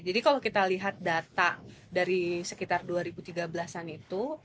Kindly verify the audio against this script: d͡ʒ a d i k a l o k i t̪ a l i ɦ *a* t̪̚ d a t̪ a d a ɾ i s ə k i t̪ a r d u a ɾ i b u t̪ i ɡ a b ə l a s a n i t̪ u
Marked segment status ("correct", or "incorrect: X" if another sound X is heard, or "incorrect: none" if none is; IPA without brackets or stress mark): correct